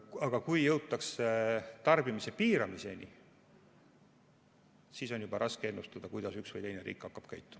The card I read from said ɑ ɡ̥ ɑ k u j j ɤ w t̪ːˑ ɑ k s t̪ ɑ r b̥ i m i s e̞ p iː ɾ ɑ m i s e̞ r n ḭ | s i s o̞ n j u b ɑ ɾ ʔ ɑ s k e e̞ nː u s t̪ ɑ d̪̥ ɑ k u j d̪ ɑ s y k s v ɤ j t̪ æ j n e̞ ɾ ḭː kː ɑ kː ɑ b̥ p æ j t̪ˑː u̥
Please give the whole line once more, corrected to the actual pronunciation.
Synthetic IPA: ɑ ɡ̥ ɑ k u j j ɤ w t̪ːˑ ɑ k s t̪ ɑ r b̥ i m i s e̞ p iː ɾ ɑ m i s e̞ n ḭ | s i s o̞ n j u b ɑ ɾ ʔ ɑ s k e e̞ nː u s t̪ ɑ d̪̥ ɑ k u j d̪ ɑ s y k s v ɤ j t̪ e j n e̞ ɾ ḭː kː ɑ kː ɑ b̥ k æ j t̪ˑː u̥